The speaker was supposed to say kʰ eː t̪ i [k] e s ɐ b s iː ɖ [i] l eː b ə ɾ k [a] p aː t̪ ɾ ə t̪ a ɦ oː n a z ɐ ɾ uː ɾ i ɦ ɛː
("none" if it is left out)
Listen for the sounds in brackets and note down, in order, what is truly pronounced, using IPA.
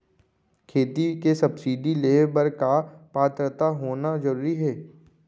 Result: k, i, a

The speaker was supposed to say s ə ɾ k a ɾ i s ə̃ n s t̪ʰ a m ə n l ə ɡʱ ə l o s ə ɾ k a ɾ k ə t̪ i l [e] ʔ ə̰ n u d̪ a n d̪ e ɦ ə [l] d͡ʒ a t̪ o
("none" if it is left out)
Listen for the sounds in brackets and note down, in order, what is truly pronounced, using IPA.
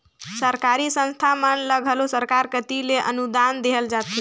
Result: e, l

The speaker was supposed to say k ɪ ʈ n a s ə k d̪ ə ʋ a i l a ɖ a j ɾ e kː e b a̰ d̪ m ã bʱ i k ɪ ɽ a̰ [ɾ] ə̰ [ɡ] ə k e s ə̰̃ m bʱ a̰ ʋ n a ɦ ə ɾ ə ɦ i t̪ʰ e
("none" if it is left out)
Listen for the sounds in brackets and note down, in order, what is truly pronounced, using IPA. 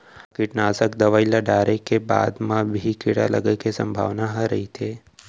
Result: l, ɡ

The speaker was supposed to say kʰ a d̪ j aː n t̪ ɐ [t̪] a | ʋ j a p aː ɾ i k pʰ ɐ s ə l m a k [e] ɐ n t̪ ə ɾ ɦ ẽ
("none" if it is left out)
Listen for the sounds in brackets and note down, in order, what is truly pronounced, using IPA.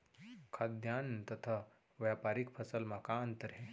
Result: t̪ʰ, a

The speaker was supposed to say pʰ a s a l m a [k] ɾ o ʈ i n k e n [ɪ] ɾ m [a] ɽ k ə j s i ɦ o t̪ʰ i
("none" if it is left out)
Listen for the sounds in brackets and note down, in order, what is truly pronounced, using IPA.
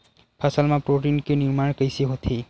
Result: p, i, a

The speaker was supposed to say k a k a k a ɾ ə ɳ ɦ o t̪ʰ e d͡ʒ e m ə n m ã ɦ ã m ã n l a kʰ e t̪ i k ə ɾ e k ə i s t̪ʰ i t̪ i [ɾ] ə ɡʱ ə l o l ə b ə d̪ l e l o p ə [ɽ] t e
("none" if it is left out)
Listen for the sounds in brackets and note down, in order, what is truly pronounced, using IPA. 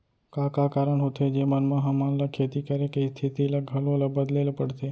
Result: l, ɽ

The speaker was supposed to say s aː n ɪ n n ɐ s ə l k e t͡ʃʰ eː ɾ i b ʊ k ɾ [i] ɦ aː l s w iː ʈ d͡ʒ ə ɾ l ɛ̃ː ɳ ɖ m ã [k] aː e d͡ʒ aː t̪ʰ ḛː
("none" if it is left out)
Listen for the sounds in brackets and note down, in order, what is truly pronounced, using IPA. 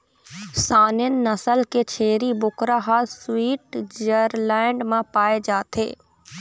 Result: a, p

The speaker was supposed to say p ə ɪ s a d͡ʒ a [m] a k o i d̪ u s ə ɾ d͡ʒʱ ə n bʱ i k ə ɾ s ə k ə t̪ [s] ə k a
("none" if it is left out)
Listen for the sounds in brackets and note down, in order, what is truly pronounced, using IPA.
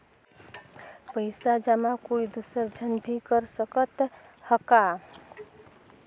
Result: m, h

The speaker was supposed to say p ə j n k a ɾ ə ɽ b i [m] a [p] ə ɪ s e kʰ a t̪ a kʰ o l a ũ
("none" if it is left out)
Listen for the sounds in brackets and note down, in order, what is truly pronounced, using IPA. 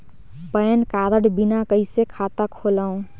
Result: n, k

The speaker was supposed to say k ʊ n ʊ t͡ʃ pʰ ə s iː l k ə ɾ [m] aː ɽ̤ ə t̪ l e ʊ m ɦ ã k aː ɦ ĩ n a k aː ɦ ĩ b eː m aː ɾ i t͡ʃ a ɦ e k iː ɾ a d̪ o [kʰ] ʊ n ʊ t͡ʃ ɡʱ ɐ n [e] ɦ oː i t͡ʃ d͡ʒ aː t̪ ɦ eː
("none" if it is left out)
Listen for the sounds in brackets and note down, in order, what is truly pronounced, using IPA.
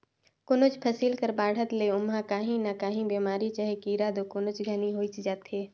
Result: b, k, i

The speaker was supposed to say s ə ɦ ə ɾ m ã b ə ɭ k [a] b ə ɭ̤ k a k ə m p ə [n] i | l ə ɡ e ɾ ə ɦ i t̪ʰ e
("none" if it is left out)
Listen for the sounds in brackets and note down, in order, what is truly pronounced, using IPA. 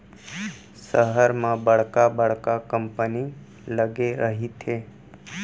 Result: a, n

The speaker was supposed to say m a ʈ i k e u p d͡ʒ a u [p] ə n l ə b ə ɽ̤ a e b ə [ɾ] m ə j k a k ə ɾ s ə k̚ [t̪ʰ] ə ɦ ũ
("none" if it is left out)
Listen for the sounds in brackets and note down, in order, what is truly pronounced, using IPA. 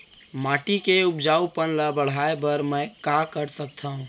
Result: p, ɾ, t̪ʰ

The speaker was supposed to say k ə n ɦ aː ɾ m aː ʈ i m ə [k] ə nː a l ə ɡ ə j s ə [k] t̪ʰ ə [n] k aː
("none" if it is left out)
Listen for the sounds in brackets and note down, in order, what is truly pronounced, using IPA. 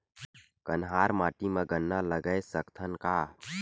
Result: ɡ, k, n

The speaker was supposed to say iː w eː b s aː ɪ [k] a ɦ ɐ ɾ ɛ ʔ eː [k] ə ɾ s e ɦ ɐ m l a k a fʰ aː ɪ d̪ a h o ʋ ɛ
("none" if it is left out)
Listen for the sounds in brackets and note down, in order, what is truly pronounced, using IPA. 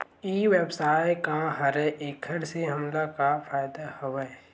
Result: k, kʰ

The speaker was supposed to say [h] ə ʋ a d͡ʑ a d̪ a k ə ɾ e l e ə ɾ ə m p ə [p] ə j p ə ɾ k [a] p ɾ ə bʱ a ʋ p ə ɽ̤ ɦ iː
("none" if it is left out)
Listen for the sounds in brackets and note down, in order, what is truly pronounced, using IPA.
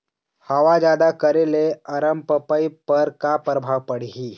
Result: h, p, a

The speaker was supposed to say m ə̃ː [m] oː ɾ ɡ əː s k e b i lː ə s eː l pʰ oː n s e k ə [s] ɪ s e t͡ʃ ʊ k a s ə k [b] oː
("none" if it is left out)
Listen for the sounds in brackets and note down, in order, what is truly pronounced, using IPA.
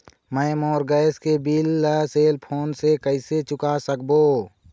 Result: m, none, b

